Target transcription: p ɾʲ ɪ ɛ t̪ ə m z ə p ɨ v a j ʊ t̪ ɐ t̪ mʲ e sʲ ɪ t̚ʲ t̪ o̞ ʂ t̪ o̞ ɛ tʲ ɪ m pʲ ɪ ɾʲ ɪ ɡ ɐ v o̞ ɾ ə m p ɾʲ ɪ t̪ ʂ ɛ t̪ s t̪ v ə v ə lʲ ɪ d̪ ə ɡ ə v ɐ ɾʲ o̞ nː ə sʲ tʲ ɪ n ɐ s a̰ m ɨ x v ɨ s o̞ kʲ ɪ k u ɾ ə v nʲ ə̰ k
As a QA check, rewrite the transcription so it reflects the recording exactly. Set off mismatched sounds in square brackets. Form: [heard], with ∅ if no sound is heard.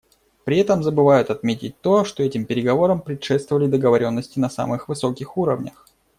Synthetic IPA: p ɾʲ ɪ ɛ t̪ ə m z ə [b] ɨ v a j ʊ t̪ ɐ t̪ mʲ e [tʲ] ɪ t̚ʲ t̪ o̞ ʂ t̪ o̞ ɛ tʲ ɪ m pʲ ɪ ɾʲ ɪ ɡ ɐ v o̞ ɾ ə m p ɾʲ ɪ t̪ ʂ ɛ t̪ s t̪ v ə v ə lʲ ɪ d̪ ə ɡ ə v ɐ ɾʲ o̞ nː ə sʲ tʲ ɪ n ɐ s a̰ m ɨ x v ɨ s o̞ kʲ ɪ [x] u ɾ ə v nʲ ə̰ [x]